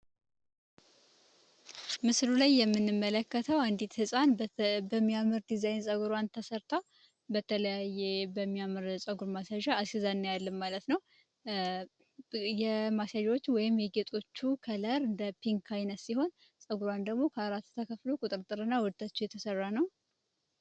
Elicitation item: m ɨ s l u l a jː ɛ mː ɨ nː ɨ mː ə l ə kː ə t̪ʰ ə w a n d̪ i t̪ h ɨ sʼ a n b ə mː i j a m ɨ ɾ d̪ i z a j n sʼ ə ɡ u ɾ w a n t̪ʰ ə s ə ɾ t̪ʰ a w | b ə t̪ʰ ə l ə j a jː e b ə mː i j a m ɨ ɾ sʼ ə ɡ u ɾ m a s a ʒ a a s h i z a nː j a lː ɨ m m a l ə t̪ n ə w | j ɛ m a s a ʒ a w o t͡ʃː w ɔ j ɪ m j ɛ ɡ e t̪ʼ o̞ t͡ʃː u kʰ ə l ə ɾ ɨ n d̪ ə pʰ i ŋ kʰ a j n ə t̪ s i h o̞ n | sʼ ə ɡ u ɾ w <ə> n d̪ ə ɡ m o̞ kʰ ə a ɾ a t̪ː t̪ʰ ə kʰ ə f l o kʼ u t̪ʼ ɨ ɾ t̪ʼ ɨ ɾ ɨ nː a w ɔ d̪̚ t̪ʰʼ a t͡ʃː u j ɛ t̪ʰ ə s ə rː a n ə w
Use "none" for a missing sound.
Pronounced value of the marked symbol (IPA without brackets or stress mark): a